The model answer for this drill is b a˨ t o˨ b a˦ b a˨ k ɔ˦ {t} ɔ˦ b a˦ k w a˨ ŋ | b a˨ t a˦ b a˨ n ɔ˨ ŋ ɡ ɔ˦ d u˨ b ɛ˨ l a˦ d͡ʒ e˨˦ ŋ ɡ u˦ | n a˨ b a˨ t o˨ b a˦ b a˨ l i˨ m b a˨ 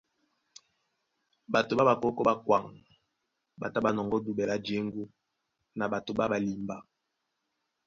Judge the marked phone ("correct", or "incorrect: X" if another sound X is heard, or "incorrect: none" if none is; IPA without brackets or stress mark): incorrect: k